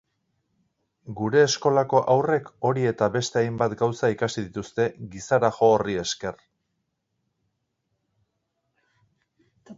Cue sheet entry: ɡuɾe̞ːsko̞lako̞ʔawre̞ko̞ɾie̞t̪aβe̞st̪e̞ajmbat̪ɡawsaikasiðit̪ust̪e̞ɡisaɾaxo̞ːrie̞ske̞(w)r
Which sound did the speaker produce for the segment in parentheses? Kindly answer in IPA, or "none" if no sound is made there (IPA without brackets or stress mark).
none